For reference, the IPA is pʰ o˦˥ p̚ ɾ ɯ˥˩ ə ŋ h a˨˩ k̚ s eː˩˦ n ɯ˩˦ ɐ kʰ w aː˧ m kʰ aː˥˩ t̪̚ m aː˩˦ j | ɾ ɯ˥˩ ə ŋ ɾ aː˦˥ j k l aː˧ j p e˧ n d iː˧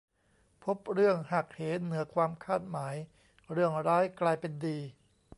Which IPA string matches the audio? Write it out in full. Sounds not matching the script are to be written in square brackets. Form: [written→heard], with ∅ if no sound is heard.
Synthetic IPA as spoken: pʰ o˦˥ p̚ ɾ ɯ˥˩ ə ŋ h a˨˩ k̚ [s→h] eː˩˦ n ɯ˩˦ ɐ kʰ w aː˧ m kʰ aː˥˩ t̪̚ m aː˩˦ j | ɾ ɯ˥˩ ə ŋ ɾ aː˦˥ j k l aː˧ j p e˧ n d iː˧